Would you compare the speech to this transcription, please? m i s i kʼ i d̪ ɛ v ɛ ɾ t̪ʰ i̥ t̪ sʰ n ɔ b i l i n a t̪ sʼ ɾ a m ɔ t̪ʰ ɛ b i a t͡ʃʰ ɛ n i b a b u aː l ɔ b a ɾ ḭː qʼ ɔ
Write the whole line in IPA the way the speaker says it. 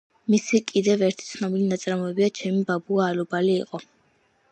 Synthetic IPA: m i s i kʼ i d̪ ɛ v ɛ ɾ t̪ʰ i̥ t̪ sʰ n ɔ b i l i n a t̪ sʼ ɾ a m ɔ ɛ b i a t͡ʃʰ ɛ m i b a b u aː l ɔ b a l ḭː qʼ ɔ